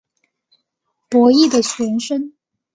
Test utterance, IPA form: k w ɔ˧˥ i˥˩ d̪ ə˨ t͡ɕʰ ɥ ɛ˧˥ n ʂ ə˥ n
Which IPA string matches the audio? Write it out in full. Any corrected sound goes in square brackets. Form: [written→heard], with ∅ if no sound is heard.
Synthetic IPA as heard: [k→p] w ɔ˧˥ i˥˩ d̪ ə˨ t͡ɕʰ ɥ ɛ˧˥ n ʂ ə˥ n